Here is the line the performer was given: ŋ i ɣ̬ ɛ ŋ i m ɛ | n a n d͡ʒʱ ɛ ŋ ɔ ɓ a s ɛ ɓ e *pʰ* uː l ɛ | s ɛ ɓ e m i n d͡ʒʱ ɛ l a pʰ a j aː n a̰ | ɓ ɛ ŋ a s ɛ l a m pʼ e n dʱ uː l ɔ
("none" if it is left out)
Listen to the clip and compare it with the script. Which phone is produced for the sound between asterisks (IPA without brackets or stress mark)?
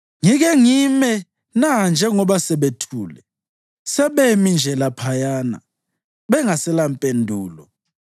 tʰ